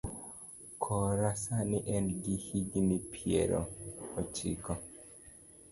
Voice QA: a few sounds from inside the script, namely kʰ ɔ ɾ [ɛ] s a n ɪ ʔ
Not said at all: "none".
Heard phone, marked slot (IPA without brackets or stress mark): a